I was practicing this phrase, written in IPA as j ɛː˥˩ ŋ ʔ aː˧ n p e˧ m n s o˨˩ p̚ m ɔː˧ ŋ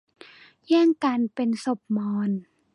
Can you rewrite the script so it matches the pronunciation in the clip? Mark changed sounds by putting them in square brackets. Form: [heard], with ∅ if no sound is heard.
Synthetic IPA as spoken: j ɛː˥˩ ŋ [k] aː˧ n p e˧ [∅] n s o˨˩ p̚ m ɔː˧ [n]

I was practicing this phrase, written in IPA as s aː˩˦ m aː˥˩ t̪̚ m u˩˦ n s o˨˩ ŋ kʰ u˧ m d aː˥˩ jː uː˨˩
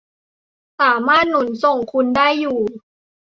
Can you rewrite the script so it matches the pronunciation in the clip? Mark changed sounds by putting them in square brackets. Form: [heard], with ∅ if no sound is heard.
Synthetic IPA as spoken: s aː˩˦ m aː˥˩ t̪̚ [n] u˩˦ n s o˨˩ ŋ kʰ u˧ [n] d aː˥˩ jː uː˨˩

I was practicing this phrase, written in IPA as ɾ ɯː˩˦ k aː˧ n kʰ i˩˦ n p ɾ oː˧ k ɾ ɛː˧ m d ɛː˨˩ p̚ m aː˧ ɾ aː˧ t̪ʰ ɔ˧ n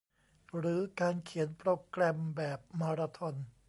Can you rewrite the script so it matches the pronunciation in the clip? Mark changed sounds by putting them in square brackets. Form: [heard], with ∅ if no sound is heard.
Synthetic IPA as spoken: ɾ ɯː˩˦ k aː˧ n kʰ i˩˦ n p ɾ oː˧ k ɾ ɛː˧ m [b] ɛː˨˩ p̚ m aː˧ ɾ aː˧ t̪ʰ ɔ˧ n

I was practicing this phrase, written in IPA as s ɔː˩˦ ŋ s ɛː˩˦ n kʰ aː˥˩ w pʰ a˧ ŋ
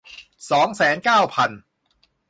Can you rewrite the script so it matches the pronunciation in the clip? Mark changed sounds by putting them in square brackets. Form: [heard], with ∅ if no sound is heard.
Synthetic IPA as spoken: s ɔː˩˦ ŋ s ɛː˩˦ n [k] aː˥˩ w pʰ a˧ [n]

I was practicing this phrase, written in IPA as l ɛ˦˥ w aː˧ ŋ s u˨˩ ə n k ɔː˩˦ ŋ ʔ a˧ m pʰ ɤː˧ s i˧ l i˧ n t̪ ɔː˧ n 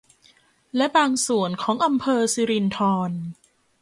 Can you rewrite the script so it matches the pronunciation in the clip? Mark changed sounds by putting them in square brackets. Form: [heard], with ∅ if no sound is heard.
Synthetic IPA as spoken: l ɛ˦˥ [b] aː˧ ŋ s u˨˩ ə n [kʰ] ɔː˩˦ ŋ ʔ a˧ m pʰ ɤː˧ s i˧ [ɾ] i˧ n [t̪ʰ] ɔː˧ n

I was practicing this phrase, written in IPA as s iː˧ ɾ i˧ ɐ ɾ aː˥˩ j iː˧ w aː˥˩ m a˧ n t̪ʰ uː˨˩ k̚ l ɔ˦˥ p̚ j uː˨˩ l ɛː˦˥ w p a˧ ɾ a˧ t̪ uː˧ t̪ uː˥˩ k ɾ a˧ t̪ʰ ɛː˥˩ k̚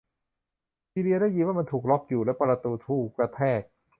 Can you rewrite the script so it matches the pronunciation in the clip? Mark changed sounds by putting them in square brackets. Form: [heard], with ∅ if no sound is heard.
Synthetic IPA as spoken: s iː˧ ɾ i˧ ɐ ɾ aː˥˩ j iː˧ w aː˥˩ m a˧ n t̪ʰ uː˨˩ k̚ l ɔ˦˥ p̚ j uː˨˩ l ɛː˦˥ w p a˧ ɾ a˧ t̪ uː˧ [t̪ʰ] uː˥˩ k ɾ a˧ t̪ʰ ɛː˥˩ k̚

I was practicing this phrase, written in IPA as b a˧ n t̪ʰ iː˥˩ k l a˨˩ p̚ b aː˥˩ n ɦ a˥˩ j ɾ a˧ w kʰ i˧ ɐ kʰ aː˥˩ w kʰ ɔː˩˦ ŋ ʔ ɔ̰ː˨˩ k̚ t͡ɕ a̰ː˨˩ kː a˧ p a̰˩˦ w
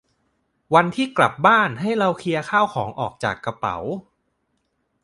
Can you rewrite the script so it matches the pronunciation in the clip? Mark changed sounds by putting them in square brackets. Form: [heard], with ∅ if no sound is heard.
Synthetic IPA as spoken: [w] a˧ n t̪ʰ iː˥˩ k l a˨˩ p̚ b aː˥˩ n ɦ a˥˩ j ɾ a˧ w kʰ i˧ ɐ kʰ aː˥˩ w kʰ ɔː˩˦ ŋ ʔ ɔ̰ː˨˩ k̚ t͡ɕ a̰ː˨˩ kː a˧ p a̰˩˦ w

